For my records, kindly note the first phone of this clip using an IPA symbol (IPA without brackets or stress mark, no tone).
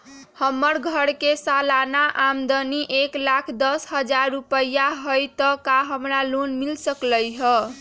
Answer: h